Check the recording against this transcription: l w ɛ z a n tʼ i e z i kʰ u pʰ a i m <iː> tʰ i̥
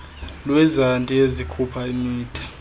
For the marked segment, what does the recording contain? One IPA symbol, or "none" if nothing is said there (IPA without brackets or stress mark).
iː